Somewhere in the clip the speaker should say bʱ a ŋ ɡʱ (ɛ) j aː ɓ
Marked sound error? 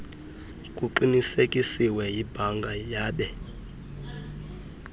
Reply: yes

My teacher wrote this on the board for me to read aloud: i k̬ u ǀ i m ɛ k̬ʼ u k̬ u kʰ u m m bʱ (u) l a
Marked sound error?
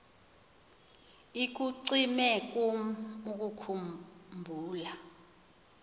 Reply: yes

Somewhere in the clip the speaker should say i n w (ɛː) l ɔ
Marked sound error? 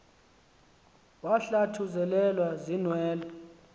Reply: no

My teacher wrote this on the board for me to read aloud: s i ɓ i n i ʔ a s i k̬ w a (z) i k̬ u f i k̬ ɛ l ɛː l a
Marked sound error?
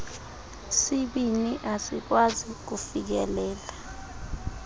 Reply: no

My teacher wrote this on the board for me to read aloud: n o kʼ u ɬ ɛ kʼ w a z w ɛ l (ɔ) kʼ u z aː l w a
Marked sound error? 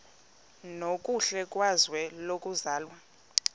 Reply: yes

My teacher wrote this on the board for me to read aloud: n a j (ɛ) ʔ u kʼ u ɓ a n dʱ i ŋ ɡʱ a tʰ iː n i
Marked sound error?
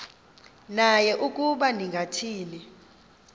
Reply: no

